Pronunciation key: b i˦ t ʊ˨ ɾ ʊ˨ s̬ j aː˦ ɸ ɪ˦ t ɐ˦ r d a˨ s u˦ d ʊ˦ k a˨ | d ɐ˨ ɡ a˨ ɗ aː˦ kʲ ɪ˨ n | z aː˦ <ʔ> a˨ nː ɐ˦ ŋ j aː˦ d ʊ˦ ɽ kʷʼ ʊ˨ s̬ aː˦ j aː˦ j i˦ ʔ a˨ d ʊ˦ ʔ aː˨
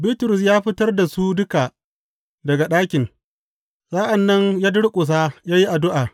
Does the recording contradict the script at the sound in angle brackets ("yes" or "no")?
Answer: no